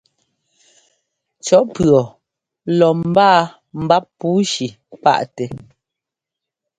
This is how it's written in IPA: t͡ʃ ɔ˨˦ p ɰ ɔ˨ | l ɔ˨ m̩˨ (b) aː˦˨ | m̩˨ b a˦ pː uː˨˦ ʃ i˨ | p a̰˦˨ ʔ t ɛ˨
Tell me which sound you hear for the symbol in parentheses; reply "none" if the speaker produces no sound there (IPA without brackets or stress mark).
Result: b